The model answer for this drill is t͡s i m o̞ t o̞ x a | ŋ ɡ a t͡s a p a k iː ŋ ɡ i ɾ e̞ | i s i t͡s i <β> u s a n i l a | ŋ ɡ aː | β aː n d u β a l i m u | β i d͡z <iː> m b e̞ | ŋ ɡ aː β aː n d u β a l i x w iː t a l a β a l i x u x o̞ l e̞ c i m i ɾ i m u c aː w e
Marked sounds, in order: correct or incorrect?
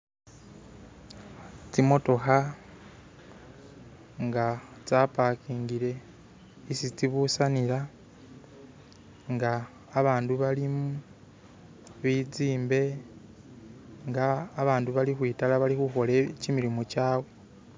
correct, correct

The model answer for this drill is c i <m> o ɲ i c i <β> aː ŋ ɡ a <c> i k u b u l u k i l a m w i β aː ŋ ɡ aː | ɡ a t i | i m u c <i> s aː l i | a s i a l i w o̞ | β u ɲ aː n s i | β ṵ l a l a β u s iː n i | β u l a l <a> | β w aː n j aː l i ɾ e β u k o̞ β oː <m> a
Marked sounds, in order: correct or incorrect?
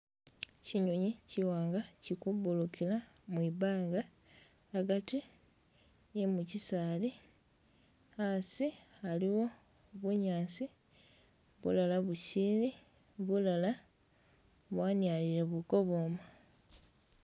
incorrect, incorrect, correct, correct, correct, correct

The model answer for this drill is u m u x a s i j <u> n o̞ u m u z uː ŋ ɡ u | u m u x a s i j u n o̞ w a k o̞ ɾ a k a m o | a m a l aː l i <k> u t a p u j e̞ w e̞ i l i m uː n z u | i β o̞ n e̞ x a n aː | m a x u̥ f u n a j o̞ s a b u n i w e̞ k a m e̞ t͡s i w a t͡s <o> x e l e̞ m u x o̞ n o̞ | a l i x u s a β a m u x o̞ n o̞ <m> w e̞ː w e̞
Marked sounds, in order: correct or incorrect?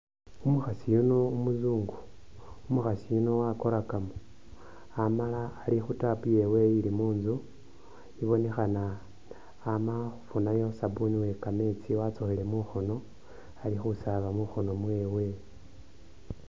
correct, incorrect, correct, correct

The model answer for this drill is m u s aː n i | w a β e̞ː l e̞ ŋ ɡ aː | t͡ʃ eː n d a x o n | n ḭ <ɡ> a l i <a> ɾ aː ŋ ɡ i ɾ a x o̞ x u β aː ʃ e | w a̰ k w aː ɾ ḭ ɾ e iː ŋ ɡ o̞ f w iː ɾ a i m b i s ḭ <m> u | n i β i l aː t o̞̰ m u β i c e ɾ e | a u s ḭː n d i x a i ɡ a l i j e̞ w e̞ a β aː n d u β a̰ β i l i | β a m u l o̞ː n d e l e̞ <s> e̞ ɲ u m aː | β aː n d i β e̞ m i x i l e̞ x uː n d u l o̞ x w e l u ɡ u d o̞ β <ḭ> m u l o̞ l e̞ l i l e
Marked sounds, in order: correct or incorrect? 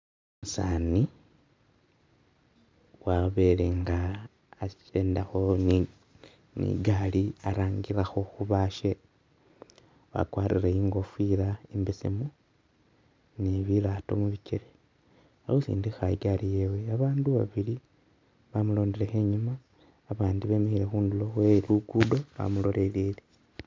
correct, correct, correct, incorrect, incorrect

